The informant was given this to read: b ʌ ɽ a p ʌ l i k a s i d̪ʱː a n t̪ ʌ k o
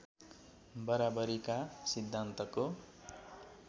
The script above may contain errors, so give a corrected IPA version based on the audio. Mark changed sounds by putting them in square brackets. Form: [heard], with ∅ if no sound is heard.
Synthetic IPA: b ʌ [ɾ] a [b] ʌ [ɾ] i k a s i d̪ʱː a n t̪ ʌ k o